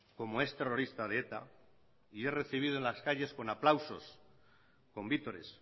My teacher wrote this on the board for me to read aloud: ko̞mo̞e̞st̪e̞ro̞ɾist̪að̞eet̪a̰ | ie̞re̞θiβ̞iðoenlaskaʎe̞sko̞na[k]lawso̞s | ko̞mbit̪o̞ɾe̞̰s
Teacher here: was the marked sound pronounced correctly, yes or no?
no